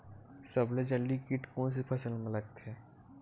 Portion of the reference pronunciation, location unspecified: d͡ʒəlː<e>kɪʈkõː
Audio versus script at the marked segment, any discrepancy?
yes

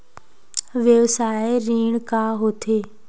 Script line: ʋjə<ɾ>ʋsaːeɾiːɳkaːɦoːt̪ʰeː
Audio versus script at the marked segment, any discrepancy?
yes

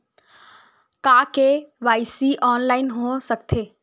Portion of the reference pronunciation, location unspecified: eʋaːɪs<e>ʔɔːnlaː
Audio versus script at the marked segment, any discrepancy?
yes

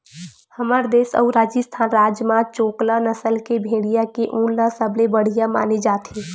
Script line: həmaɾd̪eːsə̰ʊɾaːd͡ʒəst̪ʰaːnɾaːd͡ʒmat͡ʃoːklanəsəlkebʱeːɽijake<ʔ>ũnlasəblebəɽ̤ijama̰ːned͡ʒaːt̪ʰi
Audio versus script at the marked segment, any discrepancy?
no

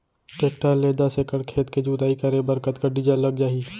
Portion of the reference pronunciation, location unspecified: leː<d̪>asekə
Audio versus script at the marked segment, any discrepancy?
no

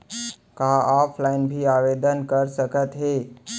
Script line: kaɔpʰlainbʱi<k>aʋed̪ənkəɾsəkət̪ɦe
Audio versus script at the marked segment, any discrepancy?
yes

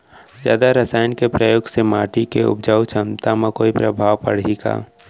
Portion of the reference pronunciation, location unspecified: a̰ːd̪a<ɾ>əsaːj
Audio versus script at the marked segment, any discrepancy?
no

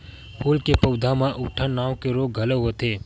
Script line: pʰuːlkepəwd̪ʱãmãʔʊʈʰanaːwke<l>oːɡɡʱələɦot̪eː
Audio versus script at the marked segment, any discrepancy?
yes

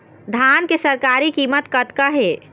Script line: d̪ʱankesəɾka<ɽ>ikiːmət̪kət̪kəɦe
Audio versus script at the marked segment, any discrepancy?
yes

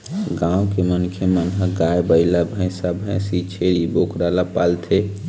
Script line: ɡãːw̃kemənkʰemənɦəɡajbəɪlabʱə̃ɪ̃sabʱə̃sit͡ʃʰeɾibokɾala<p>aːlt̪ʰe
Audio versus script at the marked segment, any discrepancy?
no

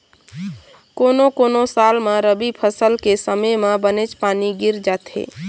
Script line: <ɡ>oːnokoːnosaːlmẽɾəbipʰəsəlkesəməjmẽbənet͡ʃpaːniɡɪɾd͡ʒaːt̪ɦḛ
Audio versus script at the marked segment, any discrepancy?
yes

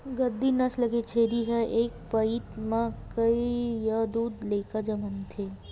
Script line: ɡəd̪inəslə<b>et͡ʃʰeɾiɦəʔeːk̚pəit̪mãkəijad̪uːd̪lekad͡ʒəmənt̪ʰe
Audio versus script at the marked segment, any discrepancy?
yes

